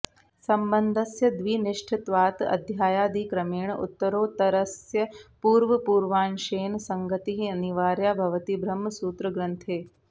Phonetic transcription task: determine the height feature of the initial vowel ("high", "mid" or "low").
low